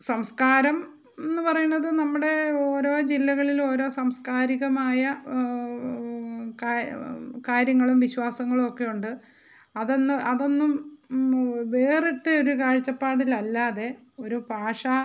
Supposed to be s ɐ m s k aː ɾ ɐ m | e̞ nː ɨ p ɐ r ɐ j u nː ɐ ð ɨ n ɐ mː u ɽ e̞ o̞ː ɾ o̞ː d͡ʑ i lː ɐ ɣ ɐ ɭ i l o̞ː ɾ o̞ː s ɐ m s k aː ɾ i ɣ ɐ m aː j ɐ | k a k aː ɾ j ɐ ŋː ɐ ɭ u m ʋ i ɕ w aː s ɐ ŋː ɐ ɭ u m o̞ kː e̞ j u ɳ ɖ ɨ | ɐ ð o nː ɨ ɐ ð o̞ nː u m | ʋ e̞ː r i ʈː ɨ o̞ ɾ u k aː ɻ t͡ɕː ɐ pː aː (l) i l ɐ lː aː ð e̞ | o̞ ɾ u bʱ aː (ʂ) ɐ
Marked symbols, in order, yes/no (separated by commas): no, yes